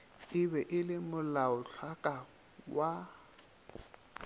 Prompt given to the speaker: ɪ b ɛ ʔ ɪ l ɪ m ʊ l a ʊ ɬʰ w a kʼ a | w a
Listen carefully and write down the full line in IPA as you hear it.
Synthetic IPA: ɪ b ɛ ʔ ɪ l ɪ m ʊ l a ʊ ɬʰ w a kʼ a | w a